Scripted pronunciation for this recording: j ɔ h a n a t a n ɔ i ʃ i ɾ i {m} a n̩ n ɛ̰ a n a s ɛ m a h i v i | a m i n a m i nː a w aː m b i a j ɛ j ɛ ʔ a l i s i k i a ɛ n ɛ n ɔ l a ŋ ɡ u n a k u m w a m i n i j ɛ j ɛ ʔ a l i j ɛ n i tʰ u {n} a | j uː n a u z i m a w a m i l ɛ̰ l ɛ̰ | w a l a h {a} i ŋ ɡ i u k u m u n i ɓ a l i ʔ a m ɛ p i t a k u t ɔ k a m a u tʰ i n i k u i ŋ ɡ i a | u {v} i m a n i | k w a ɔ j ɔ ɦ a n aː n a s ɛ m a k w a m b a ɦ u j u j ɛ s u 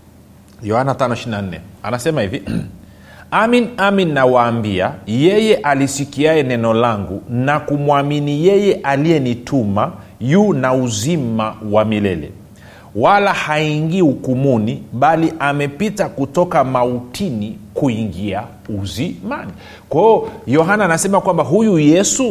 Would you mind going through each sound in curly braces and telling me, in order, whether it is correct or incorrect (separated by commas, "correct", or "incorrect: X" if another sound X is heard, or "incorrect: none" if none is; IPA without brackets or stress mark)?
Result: incorrect: n, incorrect: m, correct, incorrect: z